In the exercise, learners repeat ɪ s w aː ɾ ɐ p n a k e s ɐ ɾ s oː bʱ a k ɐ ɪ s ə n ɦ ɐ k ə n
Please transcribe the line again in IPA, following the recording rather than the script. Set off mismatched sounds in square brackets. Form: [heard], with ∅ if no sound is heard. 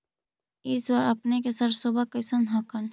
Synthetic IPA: ɪ s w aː ɾ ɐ p n [e] k e s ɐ ɾ s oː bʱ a k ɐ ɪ s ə n ɦ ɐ k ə n